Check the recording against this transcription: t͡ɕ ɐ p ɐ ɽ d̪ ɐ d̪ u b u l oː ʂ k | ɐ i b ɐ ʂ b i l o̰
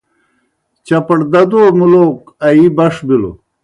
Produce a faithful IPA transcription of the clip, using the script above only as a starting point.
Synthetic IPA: t͡ɕ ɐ p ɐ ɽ d̪ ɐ d̪ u m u l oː k | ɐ i b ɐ ʂ b i l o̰